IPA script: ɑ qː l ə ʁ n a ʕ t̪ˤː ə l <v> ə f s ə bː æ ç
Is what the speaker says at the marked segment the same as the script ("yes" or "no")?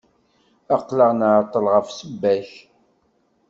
no